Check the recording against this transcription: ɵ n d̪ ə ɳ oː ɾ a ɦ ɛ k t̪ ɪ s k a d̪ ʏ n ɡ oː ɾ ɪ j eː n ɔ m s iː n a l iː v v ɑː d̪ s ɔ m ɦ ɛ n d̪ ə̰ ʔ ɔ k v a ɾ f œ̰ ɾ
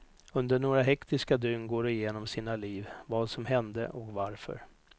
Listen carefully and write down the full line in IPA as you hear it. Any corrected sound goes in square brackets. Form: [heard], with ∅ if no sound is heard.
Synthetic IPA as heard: ɵ n d̪ ə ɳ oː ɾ a ɦ ɛ k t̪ ɪ s k a d̪ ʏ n ɡ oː ɾ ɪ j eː n ɔ m s iː n a l iː v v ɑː d̪ s ɔ m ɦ ɛ n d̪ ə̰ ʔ ɔ k v a ɾ f œ̰ ɾ